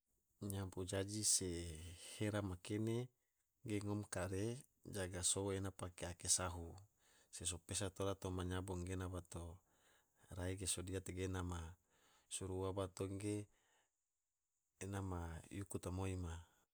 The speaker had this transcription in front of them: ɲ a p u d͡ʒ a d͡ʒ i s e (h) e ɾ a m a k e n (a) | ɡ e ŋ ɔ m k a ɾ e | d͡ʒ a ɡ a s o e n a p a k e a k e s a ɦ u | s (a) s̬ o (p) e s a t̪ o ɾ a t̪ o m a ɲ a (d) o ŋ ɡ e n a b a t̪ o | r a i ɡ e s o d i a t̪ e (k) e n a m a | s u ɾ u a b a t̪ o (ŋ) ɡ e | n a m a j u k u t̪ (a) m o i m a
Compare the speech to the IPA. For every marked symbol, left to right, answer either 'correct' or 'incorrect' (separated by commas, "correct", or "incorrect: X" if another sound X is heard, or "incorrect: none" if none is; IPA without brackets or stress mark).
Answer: correct, incorrect: e, incorrect: e, correct, incorrect: b, incorrect: ɡ, correct, correct